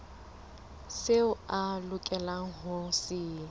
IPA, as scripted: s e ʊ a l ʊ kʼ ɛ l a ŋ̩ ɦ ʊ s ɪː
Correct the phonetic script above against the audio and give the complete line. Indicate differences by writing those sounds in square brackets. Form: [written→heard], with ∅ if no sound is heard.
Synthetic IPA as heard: s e ʊ a l ʊ kʼ ɛ l a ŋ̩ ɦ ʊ s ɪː